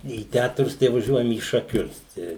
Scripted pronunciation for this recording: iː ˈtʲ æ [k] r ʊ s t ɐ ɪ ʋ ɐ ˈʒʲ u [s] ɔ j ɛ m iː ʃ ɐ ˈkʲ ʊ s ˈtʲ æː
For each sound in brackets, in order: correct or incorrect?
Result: incorrect: t, incorrect: none

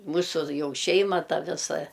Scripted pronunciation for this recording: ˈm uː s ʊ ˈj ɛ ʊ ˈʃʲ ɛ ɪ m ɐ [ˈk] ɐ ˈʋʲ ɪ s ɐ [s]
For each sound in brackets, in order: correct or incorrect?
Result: incorrect: t, incorrect: none

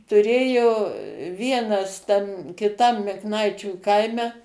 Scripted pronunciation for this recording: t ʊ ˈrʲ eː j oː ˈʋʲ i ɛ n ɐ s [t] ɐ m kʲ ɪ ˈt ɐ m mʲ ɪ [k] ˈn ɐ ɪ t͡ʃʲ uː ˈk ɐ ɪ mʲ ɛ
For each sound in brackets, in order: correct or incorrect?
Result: correct, correct

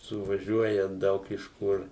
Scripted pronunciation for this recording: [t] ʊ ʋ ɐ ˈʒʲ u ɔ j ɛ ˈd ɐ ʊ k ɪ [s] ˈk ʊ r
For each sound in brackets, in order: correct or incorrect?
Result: incorrect: s, incorrect: ʃ

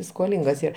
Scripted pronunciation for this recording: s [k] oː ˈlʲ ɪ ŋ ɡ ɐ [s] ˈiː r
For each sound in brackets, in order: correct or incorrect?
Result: correct, correct

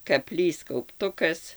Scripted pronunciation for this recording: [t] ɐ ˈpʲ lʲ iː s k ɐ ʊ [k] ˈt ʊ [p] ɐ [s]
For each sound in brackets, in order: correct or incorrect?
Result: incorrect: k, incorrect: p, incorrect: k, correct

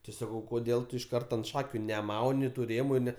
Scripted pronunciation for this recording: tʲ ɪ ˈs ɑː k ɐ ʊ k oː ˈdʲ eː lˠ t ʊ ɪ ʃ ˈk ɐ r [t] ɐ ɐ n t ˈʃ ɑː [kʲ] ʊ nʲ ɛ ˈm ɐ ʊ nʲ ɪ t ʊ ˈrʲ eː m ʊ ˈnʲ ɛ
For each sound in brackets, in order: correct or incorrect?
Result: correct, correct

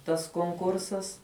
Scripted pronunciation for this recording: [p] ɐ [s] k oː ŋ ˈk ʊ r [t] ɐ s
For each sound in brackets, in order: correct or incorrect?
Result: incorrect: t, correct, incorrect: s

